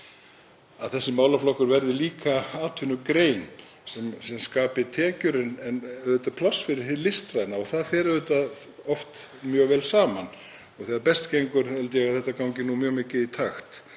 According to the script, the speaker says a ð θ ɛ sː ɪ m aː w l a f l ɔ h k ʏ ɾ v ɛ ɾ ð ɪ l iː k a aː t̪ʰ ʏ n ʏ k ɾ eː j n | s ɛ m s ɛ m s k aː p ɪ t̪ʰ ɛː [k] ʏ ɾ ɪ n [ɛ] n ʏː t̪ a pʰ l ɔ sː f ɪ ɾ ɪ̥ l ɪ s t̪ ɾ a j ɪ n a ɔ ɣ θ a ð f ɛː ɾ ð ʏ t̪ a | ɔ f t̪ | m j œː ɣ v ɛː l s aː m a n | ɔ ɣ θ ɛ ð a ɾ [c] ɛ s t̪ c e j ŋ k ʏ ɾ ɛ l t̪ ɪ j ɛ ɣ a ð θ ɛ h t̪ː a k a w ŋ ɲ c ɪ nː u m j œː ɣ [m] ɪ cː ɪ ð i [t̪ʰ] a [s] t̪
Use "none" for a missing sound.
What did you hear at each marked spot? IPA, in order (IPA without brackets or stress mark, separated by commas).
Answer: c, ɛ, p, m, t̪ʰ, x